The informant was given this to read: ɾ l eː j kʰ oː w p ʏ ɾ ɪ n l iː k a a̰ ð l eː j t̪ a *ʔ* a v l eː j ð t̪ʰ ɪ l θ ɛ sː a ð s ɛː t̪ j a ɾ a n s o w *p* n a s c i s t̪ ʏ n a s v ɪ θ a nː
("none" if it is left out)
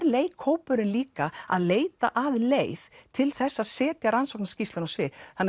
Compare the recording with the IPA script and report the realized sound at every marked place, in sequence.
ʔ, k

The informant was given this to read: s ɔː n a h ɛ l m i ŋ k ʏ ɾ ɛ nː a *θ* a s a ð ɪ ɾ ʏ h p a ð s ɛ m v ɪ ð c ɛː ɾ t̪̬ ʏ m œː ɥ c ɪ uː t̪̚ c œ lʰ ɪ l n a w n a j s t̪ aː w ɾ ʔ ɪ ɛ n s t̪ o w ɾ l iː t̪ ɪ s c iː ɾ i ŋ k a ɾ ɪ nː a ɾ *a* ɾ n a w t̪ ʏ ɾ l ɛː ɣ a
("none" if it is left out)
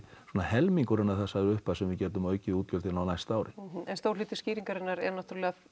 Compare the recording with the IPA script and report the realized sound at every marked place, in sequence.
θ, ɛ

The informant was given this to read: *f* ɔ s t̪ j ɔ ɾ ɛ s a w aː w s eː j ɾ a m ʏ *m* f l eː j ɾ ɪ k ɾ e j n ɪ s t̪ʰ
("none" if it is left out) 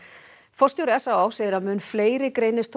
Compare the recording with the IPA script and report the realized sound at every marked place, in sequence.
f, n

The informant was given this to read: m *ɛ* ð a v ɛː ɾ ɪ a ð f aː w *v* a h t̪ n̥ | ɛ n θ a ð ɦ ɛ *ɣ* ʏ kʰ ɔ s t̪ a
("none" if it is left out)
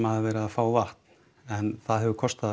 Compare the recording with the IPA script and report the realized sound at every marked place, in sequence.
a, v, v

